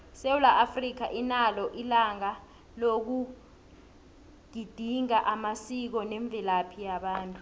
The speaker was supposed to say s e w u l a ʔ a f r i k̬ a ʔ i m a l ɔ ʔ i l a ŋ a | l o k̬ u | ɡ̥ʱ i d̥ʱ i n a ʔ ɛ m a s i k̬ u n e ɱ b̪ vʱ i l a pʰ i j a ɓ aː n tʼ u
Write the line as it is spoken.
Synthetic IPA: s e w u l a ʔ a f r i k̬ a ʔ i n a l ɔ ʔ i l a ŋ a | l o k̬ u | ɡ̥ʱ i d̥ʱ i ŋ a ʔ a m a s i k̬ ɔ n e ɱ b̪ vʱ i l a pʰ i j a ɓ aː n tʼ u